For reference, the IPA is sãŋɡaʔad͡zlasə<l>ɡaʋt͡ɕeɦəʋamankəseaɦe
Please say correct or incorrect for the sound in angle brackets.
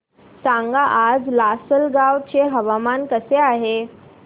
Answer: correct